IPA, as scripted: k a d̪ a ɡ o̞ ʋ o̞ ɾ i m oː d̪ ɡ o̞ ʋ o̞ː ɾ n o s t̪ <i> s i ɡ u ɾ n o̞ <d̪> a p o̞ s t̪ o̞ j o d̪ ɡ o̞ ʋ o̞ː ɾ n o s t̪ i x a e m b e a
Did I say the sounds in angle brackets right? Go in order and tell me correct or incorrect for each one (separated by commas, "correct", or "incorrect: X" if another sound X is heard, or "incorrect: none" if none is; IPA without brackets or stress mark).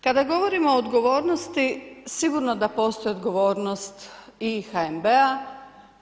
correct, correct